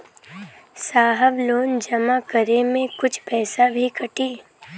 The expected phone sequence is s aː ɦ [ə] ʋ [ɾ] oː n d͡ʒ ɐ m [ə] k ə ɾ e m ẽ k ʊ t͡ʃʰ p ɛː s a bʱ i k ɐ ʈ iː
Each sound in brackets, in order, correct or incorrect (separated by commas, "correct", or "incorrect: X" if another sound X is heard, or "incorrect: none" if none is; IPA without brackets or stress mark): correct, incorrect: l, incorrect: a